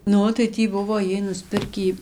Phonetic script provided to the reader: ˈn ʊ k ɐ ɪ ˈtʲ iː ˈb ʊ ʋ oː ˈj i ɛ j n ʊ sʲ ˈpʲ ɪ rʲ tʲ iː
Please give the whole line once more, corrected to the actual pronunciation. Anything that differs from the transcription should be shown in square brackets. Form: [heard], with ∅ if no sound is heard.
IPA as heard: ˈn ʊ [t] ɐ ɪ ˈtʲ iː ˈb ʊ ʋ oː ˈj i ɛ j n ʊ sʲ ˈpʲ ɪ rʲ [kʲ] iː